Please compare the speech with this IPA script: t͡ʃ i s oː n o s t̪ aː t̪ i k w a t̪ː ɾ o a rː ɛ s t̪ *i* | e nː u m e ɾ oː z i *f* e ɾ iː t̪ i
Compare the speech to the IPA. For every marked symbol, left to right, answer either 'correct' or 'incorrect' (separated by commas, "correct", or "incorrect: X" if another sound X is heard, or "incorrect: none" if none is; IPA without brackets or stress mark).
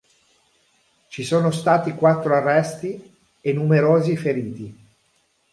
correct, correct